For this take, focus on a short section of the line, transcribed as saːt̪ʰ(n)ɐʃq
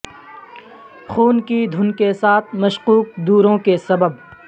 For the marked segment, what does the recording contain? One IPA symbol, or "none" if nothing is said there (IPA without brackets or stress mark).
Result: m